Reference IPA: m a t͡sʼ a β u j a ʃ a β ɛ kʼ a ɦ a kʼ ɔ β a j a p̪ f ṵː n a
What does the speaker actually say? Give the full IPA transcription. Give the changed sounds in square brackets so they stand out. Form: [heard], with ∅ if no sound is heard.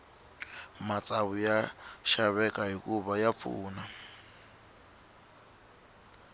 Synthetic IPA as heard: m a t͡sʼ a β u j a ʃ a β ɛ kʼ a ɦ [i] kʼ [u] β a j a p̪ f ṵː n a